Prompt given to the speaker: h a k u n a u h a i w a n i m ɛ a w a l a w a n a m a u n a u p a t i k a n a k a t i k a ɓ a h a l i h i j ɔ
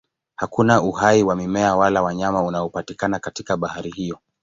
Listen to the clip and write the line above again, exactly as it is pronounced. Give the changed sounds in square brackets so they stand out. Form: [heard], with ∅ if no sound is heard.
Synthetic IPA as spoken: h a k u n a u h a i w a [m] i m ɛ a w a l a w a [ɲ] a m a u n a [ɔ] p a t i k a n a k a t i k a ɓ a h a [ɾ] i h i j ɔ

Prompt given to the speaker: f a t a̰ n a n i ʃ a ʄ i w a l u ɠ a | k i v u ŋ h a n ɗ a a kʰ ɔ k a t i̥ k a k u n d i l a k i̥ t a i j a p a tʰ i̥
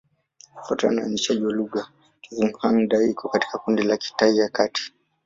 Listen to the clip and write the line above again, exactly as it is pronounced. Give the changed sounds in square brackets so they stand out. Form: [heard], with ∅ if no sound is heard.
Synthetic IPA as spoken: f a t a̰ n a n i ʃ a ʄ i w a l u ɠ a | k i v u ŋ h a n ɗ a [i] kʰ ɔ k a t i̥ k a k u n d i l a k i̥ t a i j a [k] a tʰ i̥

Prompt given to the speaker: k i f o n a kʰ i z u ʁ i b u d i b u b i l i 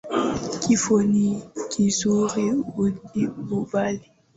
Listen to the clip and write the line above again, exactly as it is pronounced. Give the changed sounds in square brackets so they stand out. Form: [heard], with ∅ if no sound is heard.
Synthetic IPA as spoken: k i f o n [i] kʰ i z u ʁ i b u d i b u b [a] l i

